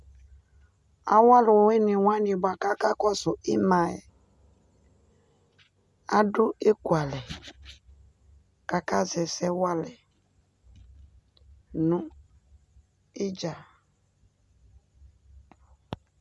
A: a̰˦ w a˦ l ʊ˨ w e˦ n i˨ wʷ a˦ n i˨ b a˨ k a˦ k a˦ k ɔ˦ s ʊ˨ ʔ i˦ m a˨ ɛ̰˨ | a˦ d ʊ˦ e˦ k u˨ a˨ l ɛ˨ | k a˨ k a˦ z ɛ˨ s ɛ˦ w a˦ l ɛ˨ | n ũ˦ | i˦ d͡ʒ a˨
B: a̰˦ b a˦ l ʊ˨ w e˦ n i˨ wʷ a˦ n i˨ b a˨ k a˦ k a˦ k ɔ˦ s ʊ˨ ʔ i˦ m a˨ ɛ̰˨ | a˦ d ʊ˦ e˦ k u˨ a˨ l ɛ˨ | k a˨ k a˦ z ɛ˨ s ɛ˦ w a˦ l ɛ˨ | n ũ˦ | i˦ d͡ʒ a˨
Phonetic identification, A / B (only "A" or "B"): A